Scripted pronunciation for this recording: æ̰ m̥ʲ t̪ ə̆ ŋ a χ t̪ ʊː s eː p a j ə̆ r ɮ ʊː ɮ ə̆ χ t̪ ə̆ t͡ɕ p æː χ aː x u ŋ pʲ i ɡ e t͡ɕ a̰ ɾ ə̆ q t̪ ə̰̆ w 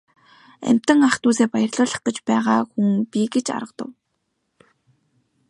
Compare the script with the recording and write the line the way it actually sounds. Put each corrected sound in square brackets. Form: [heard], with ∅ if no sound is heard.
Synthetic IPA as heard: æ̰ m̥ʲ t̪ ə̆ ŋ a χ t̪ [uː] s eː p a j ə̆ r ɮ ʊː ɮ ə̆ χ t̪ ə̆ t͡ɕ p æː [ʁ] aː x u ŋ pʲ i ɡ e t͡ɕ a̰ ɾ ə̆ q t̪ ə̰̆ w